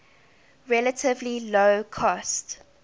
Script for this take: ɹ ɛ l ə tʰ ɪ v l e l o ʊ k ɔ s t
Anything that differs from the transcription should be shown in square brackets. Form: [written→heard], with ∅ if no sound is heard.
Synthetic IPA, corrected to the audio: ɹ ɛ l ə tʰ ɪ v l [e→i] l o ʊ [k→kʰ] ɔ s t